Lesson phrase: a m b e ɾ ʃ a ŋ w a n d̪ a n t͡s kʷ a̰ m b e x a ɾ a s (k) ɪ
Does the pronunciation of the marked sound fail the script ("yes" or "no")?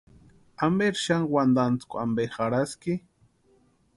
no